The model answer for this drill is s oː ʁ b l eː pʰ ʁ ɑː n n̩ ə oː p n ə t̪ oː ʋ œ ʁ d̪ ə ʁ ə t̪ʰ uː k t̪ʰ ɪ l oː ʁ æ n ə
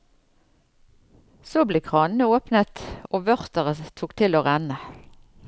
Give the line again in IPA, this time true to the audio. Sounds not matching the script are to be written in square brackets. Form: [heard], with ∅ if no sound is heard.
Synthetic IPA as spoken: s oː [∅] b l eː [kʰ] ʁ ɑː n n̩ ə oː p n ə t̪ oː ʋ œ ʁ [t̪] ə ʁ ə t̪ʰ uː k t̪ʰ ɪ l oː ʁ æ n ə